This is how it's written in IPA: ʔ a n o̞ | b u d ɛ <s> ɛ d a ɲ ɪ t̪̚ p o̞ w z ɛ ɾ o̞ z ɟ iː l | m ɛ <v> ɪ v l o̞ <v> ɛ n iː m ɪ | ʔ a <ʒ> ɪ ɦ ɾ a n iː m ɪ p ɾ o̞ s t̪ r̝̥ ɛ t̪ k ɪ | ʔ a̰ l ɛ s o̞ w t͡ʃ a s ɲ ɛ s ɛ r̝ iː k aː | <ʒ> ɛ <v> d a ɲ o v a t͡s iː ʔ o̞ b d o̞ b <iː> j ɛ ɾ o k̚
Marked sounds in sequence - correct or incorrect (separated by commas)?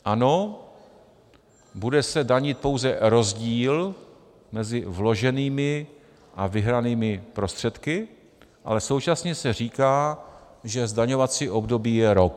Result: correct, incorrect, incorrect, incorrect, correct, incorrect, correct